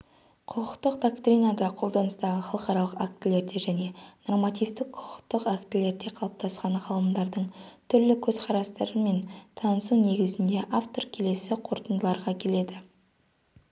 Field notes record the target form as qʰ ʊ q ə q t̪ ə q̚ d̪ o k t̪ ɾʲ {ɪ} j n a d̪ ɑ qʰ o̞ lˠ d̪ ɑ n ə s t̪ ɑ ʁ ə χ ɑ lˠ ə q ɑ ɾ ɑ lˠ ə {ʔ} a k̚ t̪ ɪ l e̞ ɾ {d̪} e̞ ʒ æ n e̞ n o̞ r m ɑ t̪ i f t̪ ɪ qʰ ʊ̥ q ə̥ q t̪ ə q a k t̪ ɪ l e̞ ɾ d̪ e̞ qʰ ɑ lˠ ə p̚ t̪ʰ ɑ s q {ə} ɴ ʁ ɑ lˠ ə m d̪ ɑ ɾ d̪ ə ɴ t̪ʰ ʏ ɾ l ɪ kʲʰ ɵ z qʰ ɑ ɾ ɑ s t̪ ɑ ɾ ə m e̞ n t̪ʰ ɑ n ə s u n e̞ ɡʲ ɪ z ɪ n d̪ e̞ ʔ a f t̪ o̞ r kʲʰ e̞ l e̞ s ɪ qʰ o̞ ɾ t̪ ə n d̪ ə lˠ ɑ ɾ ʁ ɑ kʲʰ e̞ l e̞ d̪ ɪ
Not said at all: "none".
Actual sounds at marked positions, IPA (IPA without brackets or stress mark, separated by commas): i, q, d̪, ɑ